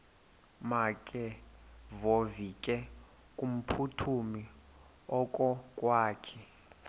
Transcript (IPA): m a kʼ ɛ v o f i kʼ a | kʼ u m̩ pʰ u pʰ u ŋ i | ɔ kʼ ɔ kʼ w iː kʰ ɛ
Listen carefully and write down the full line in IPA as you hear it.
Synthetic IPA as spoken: m a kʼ ɛ v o v i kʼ ɛ | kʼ u m̩ pʰ u tʰ u m i | ɔ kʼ ɔ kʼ w aː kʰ ɛ